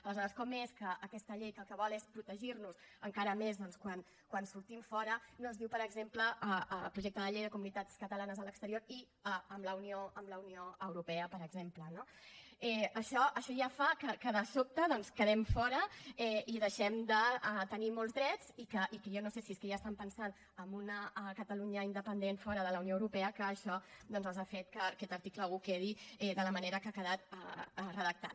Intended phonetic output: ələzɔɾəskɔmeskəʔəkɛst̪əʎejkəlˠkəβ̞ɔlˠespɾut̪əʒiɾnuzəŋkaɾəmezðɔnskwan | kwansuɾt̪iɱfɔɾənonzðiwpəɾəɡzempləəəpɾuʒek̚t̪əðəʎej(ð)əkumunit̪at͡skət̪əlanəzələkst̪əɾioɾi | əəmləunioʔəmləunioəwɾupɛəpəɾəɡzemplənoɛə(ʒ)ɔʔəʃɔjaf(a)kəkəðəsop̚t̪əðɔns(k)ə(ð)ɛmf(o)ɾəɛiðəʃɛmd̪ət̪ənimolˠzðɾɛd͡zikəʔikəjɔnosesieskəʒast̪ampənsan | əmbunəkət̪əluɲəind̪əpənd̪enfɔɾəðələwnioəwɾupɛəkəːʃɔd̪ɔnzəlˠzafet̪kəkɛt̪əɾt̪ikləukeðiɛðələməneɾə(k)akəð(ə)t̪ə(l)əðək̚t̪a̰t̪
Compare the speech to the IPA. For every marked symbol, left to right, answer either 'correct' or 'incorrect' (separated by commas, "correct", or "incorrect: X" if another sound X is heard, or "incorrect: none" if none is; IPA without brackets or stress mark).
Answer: correct, incorrect: ʃ, correct, correct, correct, incorrect: ɔ, correct, incorrect: a, incorrect: r